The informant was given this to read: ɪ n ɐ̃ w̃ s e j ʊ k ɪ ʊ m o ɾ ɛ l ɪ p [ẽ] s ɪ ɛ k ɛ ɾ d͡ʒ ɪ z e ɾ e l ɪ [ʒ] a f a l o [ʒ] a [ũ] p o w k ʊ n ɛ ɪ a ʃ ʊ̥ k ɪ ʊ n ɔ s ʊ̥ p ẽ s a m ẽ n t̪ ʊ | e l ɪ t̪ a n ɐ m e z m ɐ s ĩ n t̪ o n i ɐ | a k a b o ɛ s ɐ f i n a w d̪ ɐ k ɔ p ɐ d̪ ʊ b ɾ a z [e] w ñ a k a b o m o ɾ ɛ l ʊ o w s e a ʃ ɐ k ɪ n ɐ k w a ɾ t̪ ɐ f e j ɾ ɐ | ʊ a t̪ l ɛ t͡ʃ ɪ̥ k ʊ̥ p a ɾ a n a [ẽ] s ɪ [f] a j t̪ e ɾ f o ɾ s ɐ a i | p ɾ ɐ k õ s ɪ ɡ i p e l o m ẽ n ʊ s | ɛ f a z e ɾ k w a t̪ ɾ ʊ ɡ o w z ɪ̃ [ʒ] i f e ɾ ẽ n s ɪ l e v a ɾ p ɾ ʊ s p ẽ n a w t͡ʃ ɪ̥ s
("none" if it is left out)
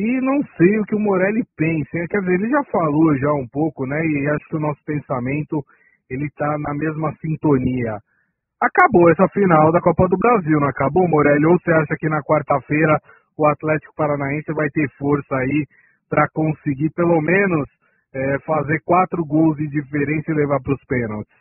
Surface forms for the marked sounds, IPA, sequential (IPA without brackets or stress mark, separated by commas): ẽ, ʒ, ʒ, ũ, i, ẽ, v, d͡ʒ